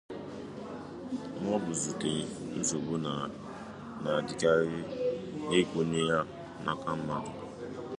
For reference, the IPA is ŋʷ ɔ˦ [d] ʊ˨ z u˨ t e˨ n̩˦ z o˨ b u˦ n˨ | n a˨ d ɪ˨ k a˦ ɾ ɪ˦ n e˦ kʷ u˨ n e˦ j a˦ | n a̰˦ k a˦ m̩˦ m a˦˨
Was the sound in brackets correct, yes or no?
no